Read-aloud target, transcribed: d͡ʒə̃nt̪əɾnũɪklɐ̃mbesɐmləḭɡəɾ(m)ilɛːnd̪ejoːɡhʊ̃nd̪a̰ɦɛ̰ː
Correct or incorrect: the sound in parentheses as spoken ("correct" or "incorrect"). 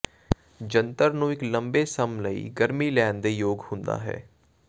correct